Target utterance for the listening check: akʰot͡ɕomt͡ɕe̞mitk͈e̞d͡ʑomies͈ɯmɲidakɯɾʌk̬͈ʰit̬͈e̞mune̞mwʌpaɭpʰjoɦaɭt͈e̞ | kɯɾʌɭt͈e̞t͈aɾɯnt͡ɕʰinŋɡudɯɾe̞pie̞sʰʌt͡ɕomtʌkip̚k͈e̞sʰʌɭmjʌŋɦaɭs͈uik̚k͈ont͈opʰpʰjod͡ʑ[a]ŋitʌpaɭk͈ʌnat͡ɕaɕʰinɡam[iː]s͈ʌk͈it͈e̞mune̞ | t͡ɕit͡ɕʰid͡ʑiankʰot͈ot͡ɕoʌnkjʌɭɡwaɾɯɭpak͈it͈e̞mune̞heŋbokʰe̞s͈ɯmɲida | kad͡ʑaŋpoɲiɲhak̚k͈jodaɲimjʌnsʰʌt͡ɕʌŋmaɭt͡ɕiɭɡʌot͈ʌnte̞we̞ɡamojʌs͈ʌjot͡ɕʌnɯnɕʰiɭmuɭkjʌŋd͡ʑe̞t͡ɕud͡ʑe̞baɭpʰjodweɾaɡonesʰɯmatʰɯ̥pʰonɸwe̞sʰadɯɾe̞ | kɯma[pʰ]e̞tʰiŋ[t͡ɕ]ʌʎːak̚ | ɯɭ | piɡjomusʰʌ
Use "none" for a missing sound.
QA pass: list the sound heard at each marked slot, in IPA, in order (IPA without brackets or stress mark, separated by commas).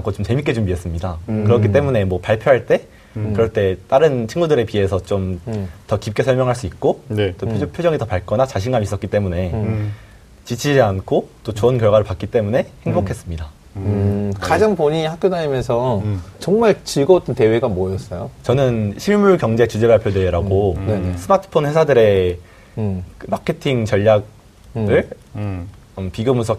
ʌ, i, kʰ, t͡ɕ